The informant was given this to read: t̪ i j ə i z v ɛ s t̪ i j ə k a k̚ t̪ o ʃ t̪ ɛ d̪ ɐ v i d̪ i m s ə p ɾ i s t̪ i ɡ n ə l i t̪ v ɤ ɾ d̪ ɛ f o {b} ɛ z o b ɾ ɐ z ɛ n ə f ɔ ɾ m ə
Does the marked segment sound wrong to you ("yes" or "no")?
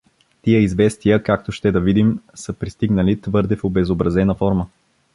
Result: no